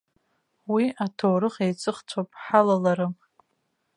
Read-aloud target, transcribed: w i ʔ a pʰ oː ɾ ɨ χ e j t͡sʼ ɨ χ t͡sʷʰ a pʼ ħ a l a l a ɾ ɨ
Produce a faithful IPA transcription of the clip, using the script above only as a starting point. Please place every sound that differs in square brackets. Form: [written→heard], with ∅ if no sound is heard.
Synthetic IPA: w i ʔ a [pʰ→tʰ] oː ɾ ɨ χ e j t͡sʼ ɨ χ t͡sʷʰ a pʼ ħ a l a l a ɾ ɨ